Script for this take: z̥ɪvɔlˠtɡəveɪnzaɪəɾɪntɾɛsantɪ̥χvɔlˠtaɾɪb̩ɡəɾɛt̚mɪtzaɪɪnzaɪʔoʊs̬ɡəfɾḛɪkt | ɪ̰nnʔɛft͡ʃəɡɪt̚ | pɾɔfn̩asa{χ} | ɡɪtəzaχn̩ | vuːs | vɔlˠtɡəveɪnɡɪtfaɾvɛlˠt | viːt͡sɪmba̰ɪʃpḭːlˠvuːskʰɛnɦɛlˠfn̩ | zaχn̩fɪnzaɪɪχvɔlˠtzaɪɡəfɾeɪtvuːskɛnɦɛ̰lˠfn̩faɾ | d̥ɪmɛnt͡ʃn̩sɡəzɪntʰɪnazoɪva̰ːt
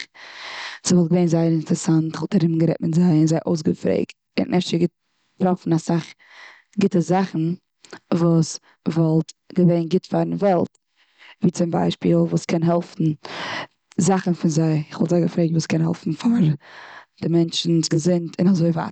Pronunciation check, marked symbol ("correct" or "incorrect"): correct